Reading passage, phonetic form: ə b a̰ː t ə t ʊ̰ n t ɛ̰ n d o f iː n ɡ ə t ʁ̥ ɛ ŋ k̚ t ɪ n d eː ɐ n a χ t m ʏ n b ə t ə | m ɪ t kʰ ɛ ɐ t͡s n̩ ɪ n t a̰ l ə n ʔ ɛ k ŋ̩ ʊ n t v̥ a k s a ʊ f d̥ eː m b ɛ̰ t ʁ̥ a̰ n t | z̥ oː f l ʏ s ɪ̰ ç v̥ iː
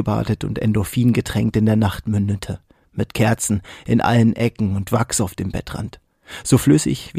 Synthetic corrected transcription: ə b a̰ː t ə t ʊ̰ n t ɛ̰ n d o f iː n ɡ ə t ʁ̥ ɛ ŋ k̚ t ɪ n d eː ɐ n a χ t m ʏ n d ə tʰ ə | m ɪ t kʰ ɛ ɐ t͡s n̩ ɪ n ʔ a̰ l ə n ʔ ɛ k ŋ̩ ʊ n t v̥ a k s a ʊ f d̥ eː m b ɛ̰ t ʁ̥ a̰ n t | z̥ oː f l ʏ s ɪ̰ ç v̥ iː